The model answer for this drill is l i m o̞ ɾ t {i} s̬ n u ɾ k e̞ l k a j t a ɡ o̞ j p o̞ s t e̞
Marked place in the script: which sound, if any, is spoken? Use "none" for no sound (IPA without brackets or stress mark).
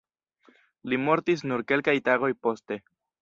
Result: i